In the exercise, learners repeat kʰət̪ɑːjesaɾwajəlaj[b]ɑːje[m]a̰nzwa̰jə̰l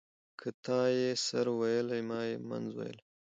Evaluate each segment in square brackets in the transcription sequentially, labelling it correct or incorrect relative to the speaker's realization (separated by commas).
incorrect, correct